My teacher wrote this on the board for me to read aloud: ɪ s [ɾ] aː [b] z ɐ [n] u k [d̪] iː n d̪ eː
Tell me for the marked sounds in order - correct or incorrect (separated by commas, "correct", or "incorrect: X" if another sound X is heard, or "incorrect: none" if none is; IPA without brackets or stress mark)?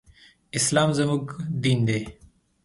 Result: incorrect: l, incorrect: m, incorrect: m, correct